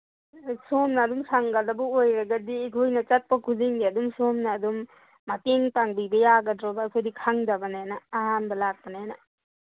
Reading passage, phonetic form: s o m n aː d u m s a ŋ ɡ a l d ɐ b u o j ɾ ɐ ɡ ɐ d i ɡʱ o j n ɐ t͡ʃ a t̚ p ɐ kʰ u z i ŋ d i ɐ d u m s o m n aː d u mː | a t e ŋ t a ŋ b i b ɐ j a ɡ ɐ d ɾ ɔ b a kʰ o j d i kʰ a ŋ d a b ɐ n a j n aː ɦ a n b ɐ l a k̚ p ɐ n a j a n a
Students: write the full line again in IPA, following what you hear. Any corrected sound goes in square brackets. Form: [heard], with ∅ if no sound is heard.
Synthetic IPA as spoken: s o m n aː d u m s a ŋ ɡ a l d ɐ b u o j ɾ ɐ ɡ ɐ d i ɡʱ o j n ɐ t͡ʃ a t̚ p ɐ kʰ u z i ŋ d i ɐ d u m s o m n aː d u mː | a t e ŋ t a ŋ b i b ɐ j a ɡ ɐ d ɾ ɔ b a kʰ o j d i kʰ a ŋ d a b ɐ n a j n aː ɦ a n b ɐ l a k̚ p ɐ n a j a n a